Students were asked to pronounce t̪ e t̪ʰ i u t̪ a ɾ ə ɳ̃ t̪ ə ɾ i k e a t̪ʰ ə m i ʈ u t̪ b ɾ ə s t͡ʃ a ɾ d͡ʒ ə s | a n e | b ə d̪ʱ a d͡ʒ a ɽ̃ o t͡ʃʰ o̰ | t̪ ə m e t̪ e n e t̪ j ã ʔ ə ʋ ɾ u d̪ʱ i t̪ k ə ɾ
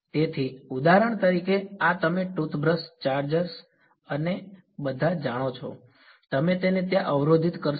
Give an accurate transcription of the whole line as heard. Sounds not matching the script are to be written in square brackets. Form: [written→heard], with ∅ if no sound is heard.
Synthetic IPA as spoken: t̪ e t̪ʰ i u [t̪→d̪] a ɾ ə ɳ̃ t̪ ə ɾ i k e a [t̪ʰ→t̪] ə m [i→e] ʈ u t̪ b ɾ ə s t͡ʃ a ɾ d͡ʒ ə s | [a→ə] n e | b ə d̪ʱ a d͡ʒ a ɽ̃ o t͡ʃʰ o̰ | t̪ ə m e t̪ e n e t̪ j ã ʔ ə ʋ ɾ [u→o] d̪ʱ i t̪ k ə ɾ